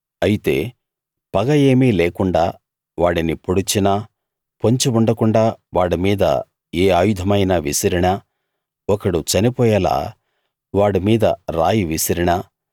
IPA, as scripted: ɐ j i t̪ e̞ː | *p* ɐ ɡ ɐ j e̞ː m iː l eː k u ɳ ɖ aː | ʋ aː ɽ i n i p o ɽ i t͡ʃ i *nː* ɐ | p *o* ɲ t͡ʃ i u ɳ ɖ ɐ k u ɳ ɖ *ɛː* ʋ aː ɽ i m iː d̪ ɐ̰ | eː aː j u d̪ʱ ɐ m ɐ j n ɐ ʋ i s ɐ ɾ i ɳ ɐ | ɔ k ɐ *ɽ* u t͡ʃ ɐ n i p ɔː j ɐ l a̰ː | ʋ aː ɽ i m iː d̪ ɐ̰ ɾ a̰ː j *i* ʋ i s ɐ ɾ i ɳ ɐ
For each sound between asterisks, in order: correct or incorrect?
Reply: correct, incorrect, correct, incorrect, correct, correct

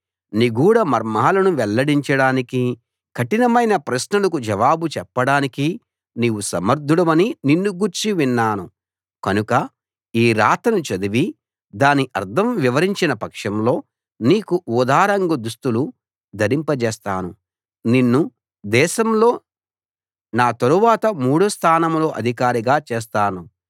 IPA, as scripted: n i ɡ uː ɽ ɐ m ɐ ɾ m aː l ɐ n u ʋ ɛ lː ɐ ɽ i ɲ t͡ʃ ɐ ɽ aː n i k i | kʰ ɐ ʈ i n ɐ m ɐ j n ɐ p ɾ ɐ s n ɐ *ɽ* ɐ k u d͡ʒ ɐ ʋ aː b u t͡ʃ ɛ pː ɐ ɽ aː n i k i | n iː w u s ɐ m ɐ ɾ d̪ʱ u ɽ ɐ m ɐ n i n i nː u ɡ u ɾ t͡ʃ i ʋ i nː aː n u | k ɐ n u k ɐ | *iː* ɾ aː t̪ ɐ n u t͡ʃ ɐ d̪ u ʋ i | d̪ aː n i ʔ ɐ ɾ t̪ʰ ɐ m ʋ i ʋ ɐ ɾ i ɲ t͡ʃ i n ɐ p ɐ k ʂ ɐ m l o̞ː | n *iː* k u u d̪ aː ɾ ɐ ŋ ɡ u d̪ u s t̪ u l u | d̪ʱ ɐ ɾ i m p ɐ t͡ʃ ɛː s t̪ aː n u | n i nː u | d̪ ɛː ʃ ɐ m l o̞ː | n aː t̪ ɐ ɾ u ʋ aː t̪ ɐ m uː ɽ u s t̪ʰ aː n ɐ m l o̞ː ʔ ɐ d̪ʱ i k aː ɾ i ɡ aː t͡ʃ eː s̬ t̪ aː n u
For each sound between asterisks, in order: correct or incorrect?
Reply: incorrect, correct, correct

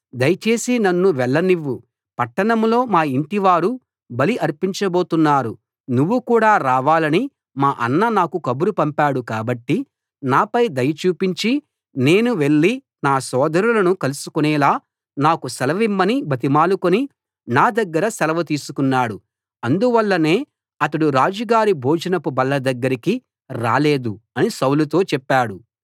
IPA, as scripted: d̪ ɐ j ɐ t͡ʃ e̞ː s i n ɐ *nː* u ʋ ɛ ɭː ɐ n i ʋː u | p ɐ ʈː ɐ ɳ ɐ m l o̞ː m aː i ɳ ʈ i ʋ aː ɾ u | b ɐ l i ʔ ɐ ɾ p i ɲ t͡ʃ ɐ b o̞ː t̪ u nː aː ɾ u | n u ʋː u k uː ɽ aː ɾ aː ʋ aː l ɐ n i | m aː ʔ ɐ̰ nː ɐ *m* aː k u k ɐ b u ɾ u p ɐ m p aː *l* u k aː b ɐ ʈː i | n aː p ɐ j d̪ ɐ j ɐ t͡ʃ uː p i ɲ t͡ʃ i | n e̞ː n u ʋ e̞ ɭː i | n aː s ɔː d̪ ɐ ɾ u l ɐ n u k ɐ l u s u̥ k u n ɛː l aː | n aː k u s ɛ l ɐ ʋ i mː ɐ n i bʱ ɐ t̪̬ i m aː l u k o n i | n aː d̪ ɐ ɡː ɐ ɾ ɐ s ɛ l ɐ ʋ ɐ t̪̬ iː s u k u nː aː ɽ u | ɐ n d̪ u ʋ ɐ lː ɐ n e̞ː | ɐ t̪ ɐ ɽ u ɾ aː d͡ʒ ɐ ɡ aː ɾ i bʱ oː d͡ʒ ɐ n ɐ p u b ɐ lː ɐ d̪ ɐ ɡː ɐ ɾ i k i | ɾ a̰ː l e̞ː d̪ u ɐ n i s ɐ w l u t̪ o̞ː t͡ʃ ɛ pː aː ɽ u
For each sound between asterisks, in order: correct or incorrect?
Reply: correct, incorrect, incorrect

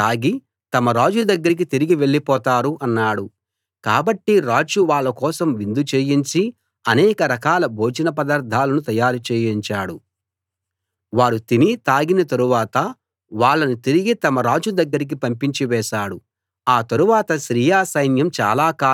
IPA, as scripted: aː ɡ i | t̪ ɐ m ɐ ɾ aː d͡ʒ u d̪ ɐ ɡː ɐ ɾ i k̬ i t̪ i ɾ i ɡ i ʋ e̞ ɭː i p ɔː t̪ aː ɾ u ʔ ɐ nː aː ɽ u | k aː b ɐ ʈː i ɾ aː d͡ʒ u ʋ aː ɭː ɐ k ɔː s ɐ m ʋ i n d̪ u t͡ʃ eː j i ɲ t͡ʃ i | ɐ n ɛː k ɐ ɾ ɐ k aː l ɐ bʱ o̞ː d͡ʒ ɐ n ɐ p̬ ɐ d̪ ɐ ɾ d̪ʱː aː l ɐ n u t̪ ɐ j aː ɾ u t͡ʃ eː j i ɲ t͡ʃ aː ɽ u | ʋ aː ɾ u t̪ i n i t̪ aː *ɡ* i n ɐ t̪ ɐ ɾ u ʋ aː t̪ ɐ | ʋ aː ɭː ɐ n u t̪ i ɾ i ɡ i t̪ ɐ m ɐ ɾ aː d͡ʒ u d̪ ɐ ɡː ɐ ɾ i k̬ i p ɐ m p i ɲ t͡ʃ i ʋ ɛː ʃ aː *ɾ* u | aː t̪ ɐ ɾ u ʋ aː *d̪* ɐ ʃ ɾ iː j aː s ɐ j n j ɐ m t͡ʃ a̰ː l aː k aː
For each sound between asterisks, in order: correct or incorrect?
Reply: correct, incorrect, incorrect

